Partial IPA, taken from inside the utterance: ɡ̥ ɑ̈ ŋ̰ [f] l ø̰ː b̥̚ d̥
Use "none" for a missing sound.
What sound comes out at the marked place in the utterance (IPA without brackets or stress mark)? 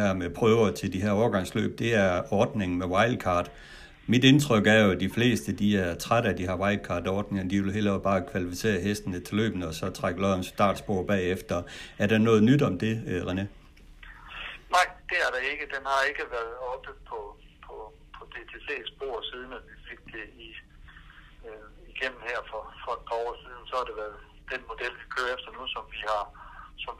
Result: s